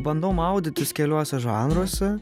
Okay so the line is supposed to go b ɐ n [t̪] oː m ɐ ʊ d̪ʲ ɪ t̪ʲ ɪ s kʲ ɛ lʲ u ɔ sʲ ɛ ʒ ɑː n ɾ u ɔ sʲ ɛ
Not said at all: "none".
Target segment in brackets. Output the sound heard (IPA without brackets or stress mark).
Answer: d̪